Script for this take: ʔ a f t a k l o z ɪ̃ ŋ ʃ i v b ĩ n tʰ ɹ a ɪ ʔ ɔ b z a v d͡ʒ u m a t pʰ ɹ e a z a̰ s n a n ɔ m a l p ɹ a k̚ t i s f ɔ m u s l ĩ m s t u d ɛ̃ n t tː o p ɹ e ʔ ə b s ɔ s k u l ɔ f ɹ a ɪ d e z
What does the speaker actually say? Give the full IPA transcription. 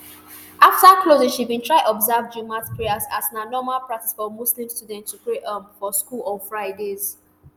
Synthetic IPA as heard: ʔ a f t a k l o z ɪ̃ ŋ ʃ i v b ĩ n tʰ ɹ a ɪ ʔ ɔ b z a v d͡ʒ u m a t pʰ ɹ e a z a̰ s n a n ɔ m a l p ɹ a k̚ t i s f ɔ m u s l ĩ m s t u d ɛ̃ n t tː u p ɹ e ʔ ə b f ɔ s k u l ɔ f ɹ a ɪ d e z

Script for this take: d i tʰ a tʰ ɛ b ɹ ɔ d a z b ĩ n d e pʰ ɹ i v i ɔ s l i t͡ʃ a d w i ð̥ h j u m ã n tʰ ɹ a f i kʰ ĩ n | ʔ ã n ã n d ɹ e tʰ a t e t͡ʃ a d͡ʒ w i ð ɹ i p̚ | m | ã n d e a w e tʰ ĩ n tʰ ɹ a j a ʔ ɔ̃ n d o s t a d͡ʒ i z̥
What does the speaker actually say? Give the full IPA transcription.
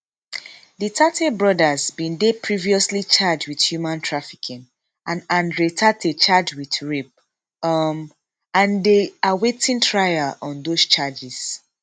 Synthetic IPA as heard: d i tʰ a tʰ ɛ b ɹ ɔ d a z b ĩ n d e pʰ ɹ i v i ɔ s l i t͡ʃ a d͡ʒ w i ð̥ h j u m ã n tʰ ɹ a f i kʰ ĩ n | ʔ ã n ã n d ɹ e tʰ a t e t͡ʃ a d͡ʒ w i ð ɹ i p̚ | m | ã n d e a w e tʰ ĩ n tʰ ɹ a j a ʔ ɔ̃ n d o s t͡ʃ a d͡ʒ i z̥

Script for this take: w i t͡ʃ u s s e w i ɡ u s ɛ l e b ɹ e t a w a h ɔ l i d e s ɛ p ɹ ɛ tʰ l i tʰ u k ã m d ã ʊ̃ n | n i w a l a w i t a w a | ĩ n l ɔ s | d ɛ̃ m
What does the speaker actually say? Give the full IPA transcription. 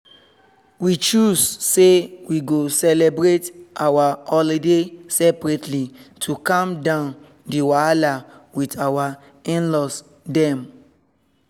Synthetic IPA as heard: w i t͡ʃ u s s e w i ɡ o s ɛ l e b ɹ e t a w a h ɔ l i d e s ɛ p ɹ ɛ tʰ l i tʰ u k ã m d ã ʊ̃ n | d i w a l a w i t a w a | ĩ n l ɔ s | d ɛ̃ m

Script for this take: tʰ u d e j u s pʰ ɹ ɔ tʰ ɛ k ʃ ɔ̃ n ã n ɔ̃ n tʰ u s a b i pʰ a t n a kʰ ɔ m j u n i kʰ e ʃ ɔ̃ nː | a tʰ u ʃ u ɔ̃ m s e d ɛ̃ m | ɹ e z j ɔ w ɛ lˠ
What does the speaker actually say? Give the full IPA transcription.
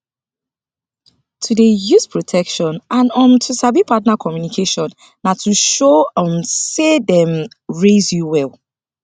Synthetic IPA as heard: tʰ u d e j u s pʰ ɹ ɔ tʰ ɛ k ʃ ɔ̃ n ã n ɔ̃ m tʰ u s a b i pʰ a t n a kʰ ɔ m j u n i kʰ e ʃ ɔ̃ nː | a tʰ u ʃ o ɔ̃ m s e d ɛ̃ m | ɹ e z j u w ɛ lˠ

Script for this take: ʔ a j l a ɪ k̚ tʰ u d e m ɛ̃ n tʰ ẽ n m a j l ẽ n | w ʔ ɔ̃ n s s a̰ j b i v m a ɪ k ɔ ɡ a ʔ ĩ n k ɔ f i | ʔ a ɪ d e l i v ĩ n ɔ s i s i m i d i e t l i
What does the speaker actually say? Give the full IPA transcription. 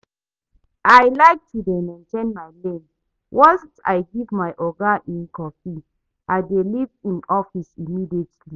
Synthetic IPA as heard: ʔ a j l a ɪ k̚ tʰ u d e m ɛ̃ n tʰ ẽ n m a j l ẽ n | w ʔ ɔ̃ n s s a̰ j ɡ i v m a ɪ ʔ ɔ ɡ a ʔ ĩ n k ɔ f i | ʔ a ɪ d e l i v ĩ n ɔ f i s i m i d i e t l i

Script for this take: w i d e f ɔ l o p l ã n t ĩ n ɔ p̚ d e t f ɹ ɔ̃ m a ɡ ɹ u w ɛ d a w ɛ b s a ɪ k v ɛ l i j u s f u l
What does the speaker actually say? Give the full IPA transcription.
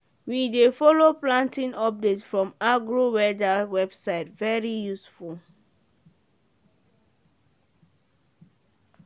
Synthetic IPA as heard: w i d e f ɔ l o p l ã n t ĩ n ɔ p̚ d e t f ɹ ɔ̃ m a ɡ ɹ o w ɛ d a w ɛ b s a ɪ t v ɛ ɹ i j u s f u l

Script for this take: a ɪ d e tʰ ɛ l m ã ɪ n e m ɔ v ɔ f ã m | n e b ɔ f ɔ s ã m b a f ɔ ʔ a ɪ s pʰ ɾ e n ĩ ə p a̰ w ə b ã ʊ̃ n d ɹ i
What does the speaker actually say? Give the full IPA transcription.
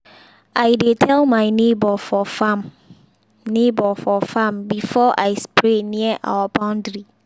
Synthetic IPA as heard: a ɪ d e tʰ ɛ l m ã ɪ n e b ɔ f ɔ f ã m | n e b ɔ f ɔ f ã m b i f ɔ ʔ a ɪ s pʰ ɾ e n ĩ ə ʔ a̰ w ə b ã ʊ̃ n d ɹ i

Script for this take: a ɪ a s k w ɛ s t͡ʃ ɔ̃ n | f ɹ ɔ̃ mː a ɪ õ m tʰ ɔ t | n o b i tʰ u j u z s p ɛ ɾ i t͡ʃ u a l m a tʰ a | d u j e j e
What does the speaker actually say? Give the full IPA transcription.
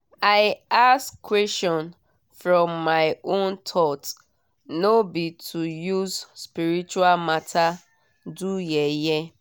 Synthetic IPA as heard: a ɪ a s k w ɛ s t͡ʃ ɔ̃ n | f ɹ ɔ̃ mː a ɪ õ n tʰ ɔ t | n o b i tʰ u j u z s p i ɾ i t͡ʃ u a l m a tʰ a | d u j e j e

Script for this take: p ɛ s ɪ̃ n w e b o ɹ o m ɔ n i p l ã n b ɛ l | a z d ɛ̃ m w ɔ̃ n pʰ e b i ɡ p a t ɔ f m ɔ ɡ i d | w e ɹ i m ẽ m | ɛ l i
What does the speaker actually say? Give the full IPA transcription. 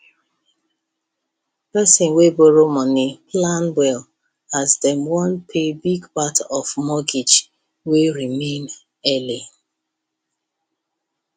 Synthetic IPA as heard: p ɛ s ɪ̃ n w e b o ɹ o m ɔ n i p l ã n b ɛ l | a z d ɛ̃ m w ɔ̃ n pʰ e b i ɡ p a t ɔ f m ɔ ɡ i d͡ʒ | w e ɹ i m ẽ n | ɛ l i

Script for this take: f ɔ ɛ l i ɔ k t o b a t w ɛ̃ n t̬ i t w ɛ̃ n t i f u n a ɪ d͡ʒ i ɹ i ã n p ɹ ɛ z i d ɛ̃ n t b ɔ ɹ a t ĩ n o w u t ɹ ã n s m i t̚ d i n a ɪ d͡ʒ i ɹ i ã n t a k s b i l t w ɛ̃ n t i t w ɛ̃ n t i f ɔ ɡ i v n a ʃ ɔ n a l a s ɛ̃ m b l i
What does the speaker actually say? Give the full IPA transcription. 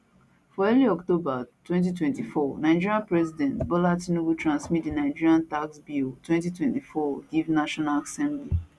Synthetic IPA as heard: f ɔ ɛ l i ɔ k t o b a t w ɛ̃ n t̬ i t w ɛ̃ n t i f ɔ n a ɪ d͡ʒ i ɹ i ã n p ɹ ɛ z i d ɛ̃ n t b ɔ l a t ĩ n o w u t ɹ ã n s m i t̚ d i n a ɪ d͡ʒ i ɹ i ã n t a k s b i l t w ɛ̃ n t i t w ɛ̃ n t i f ɔ ɡ i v n a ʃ ɔ n a l a s ɛ̃ m b l i

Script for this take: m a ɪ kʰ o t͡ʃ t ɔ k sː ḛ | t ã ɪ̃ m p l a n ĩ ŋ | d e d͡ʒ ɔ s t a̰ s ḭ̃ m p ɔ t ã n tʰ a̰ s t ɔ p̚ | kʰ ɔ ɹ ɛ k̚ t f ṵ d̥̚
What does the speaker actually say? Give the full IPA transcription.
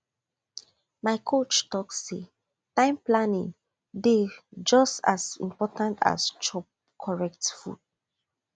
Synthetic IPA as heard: m a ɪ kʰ o t͡ʃ t ɔ k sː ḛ | t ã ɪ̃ m p l a n ĩ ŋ | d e d͡ʒ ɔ s t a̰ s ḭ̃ m p ɔ t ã n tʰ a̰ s t͡ʃ ɔ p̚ | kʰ ɔ ɹ ɛ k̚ t f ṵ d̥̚

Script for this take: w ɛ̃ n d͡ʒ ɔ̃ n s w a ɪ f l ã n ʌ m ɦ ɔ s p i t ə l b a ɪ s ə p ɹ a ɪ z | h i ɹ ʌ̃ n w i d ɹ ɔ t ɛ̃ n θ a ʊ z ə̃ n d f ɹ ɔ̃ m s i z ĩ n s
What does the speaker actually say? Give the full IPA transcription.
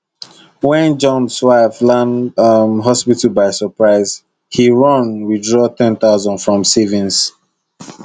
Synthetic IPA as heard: w ɛ̃ n d͡ʒ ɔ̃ n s w a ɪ f l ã n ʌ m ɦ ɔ s p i t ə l b a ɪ s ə p ɹ a ɪ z | h i ɹ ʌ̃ n w i d ɹ ɔ t ɛ̃ n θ a ʊ z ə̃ n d f ɹ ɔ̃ m s i v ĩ n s

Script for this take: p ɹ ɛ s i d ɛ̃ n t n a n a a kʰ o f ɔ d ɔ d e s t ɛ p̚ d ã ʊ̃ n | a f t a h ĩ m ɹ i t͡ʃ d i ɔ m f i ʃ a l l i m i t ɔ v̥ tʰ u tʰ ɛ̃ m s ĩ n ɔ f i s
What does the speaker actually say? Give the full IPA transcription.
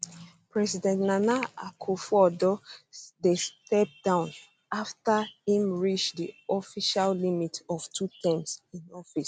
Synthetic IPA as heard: p ɹ ɛ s i d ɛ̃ n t n a n a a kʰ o f ɔ d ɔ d e s t ɛ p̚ d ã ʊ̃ n | a f t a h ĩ m ɹ i t͡ʃ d i ɔ f i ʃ a l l i m i t ɔ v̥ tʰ u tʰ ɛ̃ m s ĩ n ɔ f i s

